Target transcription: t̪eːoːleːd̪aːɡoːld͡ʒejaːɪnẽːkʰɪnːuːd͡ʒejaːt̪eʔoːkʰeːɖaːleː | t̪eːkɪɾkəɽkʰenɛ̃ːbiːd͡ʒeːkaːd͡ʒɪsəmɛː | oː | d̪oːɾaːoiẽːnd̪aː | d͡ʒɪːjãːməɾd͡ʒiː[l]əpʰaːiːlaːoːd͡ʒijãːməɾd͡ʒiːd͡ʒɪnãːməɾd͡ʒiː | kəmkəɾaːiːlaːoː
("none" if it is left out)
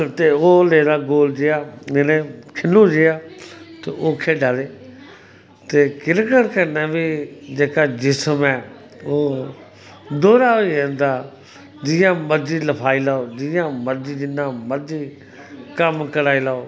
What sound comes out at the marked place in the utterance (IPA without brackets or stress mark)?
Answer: l